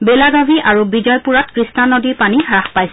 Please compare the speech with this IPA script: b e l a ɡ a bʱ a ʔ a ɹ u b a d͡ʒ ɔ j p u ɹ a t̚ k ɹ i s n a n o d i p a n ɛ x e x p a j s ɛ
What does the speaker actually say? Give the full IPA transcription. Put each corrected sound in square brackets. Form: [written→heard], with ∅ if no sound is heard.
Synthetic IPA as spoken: b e l a ɡ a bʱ [a→i] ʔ a ɹ u b [a→i] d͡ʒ ɔ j p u ɹ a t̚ k ɹ i s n a n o d i p a n [ɛ→i] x [e→a] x p a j s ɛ

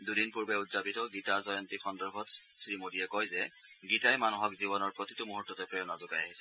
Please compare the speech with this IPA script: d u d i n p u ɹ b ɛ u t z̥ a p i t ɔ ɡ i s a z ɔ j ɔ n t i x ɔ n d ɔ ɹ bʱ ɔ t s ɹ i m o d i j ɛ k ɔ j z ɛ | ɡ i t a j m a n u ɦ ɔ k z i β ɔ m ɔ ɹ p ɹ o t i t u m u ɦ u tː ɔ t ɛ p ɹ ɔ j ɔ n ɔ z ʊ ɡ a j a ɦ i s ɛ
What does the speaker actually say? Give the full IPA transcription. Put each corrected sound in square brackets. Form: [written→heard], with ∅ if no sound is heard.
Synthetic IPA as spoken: d u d i n p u ɹ b ɛ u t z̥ a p i t ɔ ɡ i [s→t] a z ɔ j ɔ n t i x ɔ n d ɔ ɹ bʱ ɔ t s ɹ i m o d i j ɛ k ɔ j z ɛ | ɡ i t a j m a n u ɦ ɔ k z i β ɔ [m→n] ɔ ɹ p ɹ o t i t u m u ɦ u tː ɔ t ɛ p ɹ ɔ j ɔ n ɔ z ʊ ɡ a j a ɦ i s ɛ

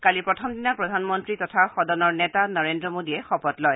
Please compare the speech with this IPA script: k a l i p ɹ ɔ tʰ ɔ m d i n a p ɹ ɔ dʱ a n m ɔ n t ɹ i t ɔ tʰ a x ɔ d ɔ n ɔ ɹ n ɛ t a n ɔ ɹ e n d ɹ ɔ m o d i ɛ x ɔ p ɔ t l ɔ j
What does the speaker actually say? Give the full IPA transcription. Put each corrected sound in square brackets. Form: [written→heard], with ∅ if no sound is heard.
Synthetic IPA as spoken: k a l i p ɹ ɔ tʰ ɔ m d i n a p ɹ ɔ dʱ a n m ɔ n t ɹ i t ɔ tʰ a x ɔ d ɔ n ɔ ɹ n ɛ t a n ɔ ɹ e n d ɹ ɔ m o d i ɛ x ɔ p ɔ t l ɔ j

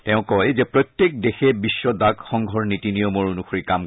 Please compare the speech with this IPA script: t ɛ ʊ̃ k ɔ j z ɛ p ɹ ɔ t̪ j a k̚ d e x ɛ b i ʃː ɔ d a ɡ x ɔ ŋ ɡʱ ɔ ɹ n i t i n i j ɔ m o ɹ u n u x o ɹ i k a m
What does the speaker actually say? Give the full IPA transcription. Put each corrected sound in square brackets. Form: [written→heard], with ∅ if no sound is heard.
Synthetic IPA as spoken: t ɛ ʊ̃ k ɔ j z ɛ p ɹ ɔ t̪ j [a→e] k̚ d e x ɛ b i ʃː ɔ d a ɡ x ɔ ŋ ɡʱ ɔ ɹ n i t i n i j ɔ m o ɹ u n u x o ɹ i k a m

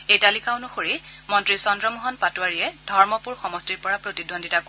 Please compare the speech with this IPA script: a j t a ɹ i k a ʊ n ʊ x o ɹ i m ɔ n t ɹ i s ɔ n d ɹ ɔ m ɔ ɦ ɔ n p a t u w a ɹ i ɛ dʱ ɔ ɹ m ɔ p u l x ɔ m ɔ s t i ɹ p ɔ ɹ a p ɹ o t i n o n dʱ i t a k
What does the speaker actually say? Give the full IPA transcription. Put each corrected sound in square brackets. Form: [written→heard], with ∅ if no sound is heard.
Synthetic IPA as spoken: [a→e] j t a [ɹ→l] i k a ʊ n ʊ x o ɹ i m ɔ n t ɹ i s ɔ n d ɹ ɔ m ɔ ɦ ɔ n p a t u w a ɹ i ɛ dʱ ɔ ɹ m ɔ p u [l→ɹ] x ɔ m ɔ s t i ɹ p ɔ ɹ a p ɹ o t i [n→d] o n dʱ i t a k

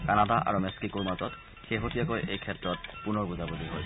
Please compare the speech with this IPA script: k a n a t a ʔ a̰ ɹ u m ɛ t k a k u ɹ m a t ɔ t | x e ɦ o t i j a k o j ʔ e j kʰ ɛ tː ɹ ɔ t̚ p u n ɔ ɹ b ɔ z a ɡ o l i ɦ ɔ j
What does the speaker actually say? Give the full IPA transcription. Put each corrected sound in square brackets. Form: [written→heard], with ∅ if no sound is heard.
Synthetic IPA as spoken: k a n a [t→d] a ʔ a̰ ɹ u m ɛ [t→s] k [a→i] k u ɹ m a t ɔ t | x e ɦ o t i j a k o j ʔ e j kʰ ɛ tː ɹ ɔ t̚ p u n ɔ ɹ b [ɔ→u] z a [ɡ→b] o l i ɦ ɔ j

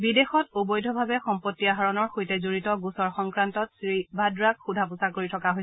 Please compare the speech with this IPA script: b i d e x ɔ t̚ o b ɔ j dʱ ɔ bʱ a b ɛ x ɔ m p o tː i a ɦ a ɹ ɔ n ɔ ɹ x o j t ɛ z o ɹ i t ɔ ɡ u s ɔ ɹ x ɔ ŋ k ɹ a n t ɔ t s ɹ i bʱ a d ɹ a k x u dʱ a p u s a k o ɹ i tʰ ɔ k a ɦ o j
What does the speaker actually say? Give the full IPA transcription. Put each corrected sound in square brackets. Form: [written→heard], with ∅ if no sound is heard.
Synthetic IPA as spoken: b i d e x ɔ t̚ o b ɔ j dʱ ɔ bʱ a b ɛ x ɔ m p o tː i a ɦ a ɹ ɔ n ɔ ɹ x o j t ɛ z o ɹ i t ɔ ɡ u s ɔ ɹ x ɔ ŋ k ɹ a n t ɔ t s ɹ i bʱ a d ɹ a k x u dʱ a p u s a k o ɹ i tʰ ɔ k a ɦ o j

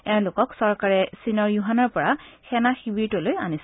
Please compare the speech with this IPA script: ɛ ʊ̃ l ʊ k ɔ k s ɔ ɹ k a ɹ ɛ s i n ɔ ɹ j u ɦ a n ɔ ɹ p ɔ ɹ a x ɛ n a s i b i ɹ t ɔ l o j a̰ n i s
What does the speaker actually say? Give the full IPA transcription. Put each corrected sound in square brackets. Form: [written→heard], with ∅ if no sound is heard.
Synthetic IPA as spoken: ɛ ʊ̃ l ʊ k ɔ k s ɔ ɹ k a ɹ ɛ s i n ɔ ɹ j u ɦ a n ɔ ɹ p ɔ ɹ a x ɛ n a [s→x] i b i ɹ t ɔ l o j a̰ n i s

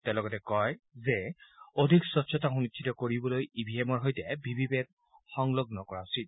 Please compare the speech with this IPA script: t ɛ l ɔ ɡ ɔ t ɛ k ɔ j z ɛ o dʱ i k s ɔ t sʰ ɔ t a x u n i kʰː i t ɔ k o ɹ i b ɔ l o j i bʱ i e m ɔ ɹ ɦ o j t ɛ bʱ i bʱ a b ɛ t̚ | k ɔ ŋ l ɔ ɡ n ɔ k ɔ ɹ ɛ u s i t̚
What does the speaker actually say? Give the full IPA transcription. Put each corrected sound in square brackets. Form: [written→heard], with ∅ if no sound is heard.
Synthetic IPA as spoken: t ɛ l ɔ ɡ ɔ t ɛ k ɔ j z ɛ o dʱ i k s ɔ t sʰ ɔ t a x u n i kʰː i t ɔ k o ɹ i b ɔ l o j i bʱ i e m ɔ ɹ ɦ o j t ɛ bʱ i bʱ [a→i] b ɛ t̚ | [k→x] ɔ ŋ l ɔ ɡ n ɔ k ɔ ɹ [ɛ→a] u s i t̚

